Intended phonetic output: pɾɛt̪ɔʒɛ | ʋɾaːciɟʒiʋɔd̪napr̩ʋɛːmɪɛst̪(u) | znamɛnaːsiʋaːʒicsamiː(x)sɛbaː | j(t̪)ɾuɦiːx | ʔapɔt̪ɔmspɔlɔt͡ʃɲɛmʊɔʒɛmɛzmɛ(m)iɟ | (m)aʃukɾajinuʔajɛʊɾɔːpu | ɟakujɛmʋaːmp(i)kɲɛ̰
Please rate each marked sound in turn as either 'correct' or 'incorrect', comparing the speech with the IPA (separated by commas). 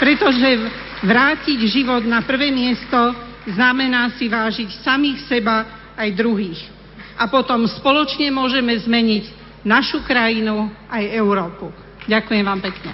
incorrect, correct, incorrect, incorrect, incorrect, incorrect